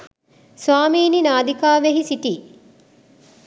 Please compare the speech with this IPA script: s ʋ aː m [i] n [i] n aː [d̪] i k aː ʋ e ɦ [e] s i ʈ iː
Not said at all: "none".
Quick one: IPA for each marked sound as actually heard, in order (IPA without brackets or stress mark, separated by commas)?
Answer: iː, i, d̪, i